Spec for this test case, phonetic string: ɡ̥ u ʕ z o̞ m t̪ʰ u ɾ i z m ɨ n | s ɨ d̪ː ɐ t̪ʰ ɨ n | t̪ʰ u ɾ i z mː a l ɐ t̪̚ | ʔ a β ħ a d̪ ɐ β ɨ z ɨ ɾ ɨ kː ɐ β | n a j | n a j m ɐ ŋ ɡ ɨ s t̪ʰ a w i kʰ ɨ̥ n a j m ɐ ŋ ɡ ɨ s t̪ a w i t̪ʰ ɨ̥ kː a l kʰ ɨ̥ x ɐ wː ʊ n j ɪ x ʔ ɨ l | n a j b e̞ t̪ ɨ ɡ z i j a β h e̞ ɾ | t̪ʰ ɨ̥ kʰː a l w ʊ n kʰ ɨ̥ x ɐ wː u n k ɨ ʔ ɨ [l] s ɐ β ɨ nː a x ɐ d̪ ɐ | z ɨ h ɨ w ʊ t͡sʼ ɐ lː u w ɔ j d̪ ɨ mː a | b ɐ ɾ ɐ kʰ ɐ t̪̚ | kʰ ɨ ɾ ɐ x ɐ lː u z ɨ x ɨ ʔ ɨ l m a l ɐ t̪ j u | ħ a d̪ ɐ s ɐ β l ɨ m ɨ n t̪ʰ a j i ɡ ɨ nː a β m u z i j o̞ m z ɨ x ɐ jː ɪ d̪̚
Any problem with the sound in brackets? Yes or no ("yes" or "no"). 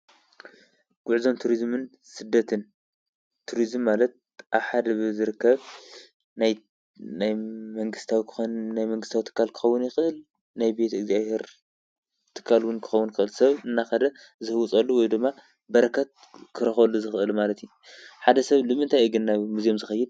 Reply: no